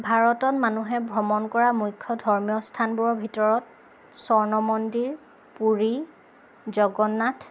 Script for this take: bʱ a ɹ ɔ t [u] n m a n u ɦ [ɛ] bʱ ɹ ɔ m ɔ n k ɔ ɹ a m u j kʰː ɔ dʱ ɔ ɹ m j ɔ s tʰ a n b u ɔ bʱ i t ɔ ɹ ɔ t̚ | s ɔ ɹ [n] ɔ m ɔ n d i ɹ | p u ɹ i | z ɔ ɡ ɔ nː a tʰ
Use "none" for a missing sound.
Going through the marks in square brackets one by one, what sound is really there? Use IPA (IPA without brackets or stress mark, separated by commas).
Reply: ɔ, ɛ, n